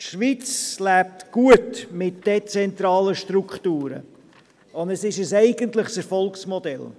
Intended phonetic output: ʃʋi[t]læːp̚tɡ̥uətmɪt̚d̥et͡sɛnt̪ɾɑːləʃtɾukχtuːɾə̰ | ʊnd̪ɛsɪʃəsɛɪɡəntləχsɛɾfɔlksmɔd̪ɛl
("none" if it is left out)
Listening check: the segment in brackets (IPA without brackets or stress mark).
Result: t͡s